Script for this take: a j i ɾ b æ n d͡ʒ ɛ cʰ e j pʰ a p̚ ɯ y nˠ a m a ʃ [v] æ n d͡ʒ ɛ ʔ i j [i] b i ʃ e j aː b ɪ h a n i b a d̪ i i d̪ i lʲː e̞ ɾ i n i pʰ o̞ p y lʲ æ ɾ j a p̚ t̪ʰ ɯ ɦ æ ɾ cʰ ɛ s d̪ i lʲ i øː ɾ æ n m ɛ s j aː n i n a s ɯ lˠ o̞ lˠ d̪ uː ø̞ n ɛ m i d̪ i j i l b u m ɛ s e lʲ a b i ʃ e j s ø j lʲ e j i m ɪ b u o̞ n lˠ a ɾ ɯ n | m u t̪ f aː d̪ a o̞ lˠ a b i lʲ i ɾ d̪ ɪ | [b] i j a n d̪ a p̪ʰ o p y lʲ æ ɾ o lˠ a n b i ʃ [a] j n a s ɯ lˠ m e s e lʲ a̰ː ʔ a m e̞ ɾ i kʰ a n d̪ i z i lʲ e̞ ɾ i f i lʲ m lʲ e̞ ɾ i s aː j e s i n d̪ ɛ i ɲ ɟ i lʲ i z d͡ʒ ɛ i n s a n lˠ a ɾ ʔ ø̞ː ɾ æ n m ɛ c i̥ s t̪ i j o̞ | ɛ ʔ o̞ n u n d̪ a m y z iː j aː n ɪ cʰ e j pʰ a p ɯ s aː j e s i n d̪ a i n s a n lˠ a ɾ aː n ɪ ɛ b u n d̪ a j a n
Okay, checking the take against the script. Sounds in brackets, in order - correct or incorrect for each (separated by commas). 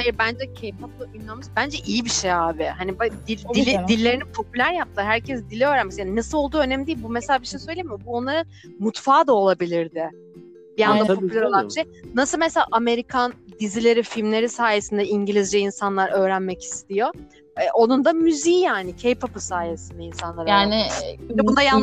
incorrect, correct, correct, incorrect